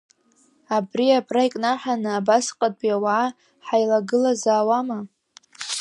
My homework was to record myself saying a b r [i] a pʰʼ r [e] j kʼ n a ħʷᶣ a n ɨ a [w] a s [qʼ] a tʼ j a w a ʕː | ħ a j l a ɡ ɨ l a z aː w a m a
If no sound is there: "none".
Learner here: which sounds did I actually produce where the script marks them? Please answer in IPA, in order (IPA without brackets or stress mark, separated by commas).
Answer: i, a, b, qʼ